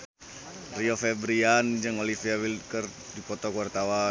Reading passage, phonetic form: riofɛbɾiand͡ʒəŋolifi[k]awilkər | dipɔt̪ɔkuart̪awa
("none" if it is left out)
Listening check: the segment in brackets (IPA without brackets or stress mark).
none